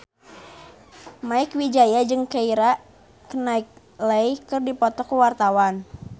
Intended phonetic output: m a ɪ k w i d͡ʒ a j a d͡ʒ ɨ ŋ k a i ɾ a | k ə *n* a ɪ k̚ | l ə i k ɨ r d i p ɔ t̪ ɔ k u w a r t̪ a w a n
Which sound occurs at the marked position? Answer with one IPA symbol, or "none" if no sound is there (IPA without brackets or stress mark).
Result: n